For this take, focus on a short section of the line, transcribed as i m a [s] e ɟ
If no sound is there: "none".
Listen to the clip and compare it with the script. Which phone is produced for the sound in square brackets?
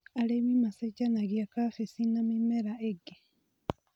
s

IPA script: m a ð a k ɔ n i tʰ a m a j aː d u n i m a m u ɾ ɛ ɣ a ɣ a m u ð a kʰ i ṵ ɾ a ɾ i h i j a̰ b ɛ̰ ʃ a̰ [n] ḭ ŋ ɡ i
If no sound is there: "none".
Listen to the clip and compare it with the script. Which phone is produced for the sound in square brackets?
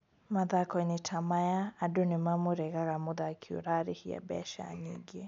ɲ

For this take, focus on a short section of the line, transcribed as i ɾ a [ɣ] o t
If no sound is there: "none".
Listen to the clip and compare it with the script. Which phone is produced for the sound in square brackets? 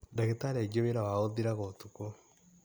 ɣ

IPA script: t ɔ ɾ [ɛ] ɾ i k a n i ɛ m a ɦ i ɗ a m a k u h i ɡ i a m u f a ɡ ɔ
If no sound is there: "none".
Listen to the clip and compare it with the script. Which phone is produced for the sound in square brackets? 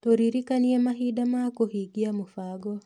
i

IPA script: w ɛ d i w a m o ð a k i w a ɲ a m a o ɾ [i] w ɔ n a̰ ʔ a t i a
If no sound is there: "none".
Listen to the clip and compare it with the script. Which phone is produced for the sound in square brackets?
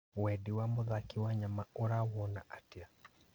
a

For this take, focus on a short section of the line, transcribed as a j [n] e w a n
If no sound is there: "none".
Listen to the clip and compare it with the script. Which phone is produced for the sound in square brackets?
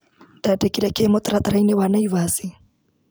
n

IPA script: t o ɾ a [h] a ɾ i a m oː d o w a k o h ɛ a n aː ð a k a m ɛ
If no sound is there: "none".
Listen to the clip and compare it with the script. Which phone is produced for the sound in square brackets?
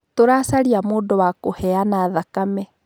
s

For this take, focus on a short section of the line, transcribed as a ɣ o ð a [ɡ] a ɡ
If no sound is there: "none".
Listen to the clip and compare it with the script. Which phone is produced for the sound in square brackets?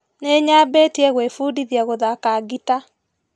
k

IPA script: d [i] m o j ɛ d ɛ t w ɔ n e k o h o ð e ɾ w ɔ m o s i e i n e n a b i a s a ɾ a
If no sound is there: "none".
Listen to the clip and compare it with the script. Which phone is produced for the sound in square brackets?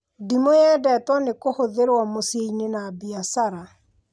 i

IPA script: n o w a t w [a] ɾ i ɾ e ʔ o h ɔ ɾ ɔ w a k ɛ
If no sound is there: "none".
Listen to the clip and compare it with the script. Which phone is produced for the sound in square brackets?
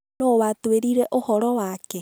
e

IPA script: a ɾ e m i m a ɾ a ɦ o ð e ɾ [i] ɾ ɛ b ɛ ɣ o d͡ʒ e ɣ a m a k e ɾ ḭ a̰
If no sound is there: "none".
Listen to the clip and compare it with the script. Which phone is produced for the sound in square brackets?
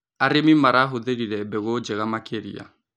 i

